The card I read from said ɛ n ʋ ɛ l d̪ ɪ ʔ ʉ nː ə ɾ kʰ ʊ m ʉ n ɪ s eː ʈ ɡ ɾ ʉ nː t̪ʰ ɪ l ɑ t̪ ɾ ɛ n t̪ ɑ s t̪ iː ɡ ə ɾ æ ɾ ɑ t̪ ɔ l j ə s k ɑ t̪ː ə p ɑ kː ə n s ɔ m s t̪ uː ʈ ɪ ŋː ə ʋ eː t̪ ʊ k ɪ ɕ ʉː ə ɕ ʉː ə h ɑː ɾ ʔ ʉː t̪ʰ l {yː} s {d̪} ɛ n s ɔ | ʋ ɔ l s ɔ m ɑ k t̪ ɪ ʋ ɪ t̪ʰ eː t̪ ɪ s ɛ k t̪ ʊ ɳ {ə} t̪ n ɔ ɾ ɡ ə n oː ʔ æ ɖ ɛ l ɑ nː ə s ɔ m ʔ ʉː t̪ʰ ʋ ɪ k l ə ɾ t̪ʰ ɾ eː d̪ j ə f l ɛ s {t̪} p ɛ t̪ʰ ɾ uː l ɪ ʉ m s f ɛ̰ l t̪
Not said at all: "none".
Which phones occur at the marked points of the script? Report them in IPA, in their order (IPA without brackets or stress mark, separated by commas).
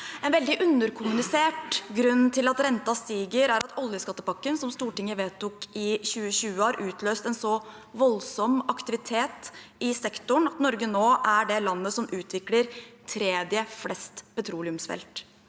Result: øː, t̪, ɑ, t̪